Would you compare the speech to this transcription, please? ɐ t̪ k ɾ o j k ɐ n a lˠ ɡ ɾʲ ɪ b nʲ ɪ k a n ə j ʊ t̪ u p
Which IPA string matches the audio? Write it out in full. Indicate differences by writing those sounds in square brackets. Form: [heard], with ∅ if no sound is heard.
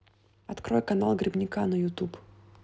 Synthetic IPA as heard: ɐ t̪ k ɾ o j k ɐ n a lˠ ɡ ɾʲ ɪ b nʲ ɪ k a n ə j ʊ t̪ u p